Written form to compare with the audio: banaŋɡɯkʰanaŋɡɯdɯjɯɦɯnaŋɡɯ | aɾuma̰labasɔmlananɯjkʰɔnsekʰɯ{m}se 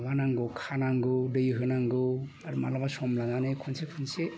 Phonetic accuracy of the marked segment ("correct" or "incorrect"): incorrect